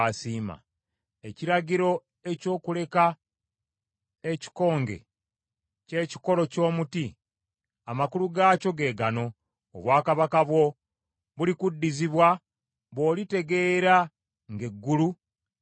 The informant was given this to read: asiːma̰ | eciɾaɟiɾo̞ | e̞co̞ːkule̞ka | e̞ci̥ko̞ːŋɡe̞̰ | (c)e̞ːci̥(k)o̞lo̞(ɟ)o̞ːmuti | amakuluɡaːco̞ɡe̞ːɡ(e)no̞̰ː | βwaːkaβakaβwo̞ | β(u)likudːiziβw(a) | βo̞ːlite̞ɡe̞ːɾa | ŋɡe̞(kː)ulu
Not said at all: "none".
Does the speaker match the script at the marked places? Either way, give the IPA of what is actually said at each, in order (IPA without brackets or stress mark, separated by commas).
c, k, c, a, u, a, ɡː